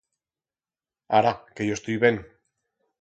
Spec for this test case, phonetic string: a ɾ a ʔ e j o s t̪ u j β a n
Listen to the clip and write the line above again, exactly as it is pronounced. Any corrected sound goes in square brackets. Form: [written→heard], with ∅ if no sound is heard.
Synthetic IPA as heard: a ɾ a [ʔ→k] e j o s t̪ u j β [a→e] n